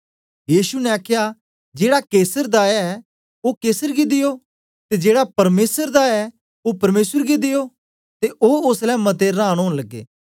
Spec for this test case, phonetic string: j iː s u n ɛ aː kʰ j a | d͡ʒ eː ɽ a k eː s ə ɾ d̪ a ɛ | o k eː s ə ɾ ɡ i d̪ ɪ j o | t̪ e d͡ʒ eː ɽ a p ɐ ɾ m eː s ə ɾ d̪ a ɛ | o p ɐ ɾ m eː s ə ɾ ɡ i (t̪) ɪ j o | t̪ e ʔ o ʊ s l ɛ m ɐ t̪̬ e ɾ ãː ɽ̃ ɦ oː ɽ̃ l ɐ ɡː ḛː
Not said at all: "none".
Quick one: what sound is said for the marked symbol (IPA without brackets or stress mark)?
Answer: d̪